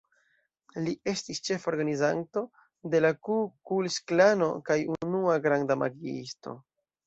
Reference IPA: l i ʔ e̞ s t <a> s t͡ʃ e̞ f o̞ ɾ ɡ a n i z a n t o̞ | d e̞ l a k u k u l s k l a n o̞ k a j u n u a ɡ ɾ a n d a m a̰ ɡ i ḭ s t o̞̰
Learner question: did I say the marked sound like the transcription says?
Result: no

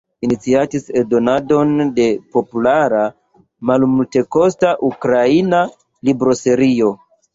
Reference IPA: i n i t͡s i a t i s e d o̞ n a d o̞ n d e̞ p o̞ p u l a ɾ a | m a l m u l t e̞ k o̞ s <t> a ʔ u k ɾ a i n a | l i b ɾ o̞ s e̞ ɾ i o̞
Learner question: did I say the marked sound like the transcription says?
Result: yes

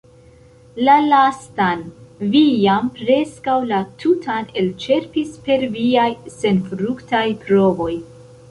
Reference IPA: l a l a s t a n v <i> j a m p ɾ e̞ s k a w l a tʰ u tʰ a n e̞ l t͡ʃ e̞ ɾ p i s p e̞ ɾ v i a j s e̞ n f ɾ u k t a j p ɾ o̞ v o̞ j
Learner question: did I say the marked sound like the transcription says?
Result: yes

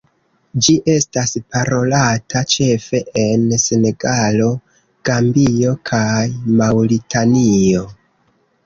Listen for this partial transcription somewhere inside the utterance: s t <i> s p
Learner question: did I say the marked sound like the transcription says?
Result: no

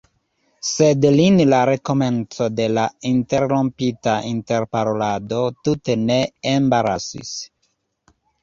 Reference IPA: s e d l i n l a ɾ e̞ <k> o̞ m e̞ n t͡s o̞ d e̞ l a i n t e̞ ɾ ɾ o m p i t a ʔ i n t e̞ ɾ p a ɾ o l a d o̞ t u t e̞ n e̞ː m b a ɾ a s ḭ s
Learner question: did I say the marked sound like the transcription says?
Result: yes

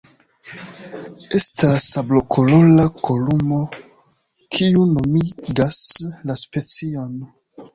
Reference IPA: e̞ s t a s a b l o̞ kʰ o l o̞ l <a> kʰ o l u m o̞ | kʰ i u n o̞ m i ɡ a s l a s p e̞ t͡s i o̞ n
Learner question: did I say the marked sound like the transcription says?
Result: yes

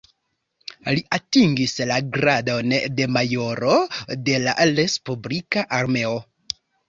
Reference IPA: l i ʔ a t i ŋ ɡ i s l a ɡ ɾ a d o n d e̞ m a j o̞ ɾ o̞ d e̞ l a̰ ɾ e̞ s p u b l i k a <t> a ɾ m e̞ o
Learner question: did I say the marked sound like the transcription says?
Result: no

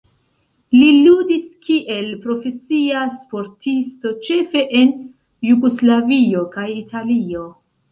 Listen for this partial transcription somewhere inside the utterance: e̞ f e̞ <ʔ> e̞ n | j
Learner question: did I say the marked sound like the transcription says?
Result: yes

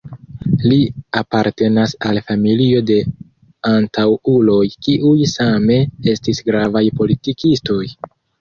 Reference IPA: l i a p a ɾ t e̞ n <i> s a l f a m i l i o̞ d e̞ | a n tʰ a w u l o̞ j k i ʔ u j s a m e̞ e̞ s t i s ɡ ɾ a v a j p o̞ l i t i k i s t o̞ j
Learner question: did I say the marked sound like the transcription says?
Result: no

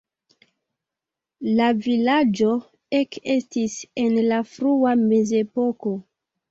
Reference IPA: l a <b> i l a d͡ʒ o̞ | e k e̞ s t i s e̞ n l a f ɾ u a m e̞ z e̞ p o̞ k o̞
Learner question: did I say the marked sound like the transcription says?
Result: no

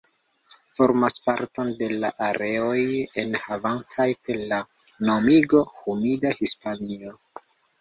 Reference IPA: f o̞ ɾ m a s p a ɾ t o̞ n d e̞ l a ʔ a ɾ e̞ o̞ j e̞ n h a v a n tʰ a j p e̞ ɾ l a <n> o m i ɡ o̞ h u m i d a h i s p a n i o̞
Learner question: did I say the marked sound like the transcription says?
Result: yes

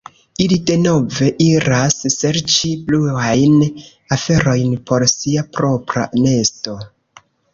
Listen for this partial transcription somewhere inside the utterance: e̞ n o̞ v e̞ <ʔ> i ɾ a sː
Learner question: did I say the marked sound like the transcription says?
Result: yes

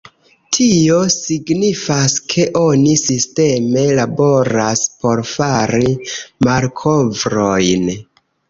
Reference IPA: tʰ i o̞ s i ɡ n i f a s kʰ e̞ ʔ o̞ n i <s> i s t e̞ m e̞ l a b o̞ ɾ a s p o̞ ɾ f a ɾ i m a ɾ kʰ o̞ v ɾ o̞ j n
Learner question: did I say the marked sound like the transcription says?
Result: yes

